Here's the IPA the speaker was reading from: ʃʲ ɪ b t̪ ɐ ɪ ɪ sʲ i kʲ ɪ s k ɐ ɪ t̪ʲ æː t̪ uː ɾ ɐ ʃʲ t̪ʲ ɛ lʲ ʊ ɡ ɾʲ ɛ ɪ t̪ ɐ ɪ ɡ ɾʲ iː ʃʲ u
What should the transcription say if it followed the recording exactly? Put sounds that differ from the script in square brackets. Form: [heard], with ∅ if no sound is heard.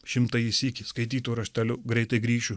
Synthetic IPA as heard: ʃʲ ɪ [m] t̪ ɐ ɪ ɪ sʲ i kʲ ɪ s k ɐ ɪ t̪ʲ [iː] t̪ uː ɾ ɐ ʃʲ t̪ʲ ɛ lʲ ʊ ɡ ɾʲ ɛ ɪ t̪ ɐ ɪ ɡ ɾʲ iː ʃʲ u

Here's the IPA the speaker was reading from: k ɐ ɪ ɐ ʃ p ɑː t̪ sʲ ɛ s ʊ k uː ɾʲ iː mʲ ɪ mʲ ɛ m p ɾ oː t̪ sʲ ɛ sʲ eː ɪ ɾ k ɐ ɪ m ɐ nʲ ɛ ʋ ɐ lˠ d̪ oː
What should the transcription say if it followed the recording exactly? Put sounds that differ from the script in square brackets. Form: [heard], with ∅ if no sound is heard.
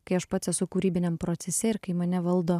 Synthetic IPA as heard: k ɐ ɪ ɐ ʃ p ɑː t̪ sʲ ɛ s ʊ k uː ɾʲ iː [bʲ] ɪ [nʲ] ɛ m p ɾ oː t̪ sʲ ɛ sʲ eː ɪ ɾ k ɐ ɪ m ɐ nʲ ɛ ʋ ɐ lˠ d̪ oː

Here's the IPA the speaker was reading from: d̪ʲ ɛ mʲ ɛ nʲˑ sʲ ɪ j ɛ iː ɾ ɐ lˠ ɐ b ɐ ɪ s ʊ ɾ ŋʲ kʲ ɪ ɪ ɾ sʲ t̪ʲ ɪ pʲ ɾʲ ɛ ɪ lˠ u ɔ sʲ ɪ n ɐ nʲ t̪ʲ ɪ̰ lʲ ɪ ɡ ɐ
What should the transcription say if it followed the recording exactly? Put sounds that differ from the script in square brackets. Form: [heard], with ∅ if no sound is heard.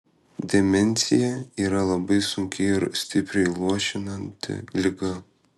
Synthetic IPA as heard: d̪ʲ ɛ mʲ ɛ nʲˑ sʲ ɪ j ɛ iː ɾ ɐ lˠ ɐ b ɐ ɪ s ʊ [∅] ŋʲ kʲ ɪ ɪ ɾ sʲ t̪ʲ ɪ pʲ ɾʲ ɛ ɪ lˠ u ɔ [ʃʲ] ɪ n ɐ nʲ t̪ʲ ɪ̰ lʲ ɪ ɡ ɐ

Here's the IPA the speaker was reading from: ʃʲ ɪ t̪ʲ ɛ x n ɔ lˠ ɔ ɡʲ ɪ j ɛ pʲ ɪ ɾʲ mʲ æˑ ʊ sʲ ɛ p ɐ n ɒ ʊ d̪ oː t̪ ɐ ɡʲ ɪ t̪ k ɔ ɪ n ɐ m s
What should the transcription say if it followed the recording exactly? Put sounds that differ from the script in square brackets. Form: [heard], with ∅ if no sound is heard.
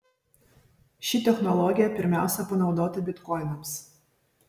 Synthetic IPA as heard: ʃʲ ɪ t̪ʲ ɛ x n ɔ lˠ ɔ ɡʲ ɪ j ɛ pʲ ɪ ɾʲ mʲ æˑ ʊ sʲ ɛ p ɐ n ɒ ʊ d̪ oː t̪ ɐ [bʲ] ɪ t̪ k ɔ ɪ n ɐ m s

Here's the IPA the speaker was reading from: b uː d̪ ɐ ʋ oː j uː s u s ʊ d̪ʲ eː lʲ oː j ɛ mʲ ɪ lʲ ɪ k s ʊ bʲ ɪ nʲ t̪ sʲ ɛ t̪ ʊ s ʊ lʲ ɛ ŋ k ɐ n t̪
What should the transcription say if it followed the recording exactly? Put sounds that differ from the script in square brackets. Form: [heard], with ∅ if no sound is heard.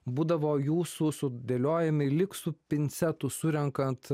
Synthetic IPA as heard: b uː d̪ ɐ ʋ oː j uː s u s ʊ d̪ʲ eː lʲ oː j ɛ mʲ ɪ lʲ ɪ k s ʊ [pʲ] ɪ nʲ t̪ sʲ ɛ t̪ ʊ s ʊ [ɾʲ] ɛ ŋ k ɐ n t̪

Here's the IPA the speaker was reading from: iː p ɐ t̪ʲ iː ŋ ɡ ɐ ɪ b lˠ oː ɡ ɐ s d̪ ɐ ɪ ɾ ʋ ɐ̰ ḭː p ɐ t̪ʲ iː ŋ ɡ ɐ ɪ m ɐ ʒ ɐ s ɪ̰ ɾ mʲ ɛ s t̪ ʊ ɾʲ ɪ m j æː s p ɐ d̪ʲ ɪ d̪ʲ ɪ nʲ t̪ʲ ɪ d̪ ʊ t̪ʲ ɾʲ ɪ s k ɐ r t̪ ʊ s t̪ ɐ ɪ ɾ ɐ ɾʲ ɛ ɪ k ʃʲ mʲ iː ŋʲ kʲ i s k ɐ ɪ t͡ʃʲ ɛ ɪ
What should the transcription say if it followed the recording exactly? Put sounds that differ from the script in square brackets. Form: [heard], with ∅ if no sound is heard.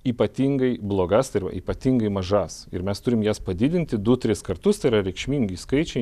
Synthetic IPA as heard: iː p ɐ t̪ʲ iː ŋ ɡ ɐ ɪ b lˠ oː ɡ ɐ s [t̪] ɐ ɪ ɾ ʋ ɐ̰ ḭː p ɐ t̪ʲ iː ŋ ɡ ɐ ɪ m ɐ ʒ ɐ s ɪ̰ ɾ mʲ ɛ s t̪ ʊ ɾʲ ɪ m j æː s p ɐ d̪ʲ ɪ d̪ʲ ɪ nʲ t̪ʲ ɪ d̪ ʊ t̪ʲ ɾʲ ɪ s k ɐ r t̪ ʊ s t̪ ɐ ɪ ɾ ɐ ɾʲ ɛ ɪ k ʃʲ mʲ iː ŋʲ [ɡʲ] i s k ɐ ɪ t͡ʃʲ ɛ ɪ

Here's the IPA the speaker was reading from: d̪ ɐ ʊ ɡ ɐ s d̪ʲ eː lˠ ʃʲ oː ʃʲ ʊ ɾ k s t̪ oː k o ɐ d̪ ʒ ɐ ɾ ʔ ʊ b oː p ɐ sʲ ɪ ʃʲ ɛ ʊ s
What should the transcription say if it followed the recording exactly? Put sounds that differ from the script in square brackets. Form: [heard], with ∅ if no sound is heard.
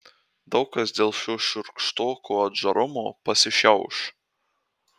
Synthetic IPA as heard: d̪ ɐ ʊ [k] ɐ s d̪ʲ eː lˠ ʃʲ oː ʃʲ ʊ ɾ k [ʃ] t̪ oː k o ɐ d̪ ʒ ɐ ɾ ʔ ʊ [m] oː p ɐ sʲ ɪ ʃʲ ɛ ʊ [ʃ]

